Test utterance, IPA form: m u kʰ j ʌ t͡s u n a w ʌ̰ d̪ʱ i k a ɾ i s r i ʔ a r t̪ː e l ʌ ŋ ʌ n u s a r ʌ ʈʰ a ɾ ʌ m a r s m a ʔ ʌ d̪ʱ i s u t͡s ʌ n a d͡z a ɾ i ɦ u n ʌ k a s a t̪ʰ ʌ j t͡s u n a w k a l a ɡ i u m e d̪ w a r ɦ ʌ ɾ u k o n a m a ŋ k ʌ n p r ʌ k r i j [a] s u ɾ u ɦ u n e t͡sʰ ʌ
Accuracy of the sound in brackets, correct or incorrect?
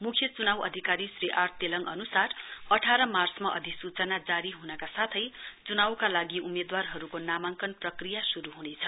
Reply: correct